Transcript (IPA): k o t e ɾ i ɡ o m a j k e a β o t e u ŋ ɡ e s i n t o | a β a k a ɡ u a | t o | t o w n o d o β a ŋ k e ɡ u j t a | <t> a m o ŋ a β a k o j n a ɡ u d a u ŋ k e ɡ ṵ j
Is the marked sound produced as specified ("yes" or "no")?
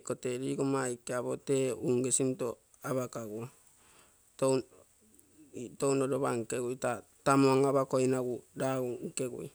yes